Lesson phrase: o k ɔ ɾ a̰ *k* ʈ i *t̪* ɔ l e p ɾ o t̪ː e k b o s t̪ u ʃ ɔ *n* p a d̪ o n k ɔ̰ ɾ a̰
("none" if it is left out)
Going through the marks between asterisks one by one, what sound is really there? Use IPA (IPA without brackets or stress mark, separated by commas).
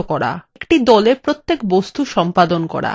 k, d̪, m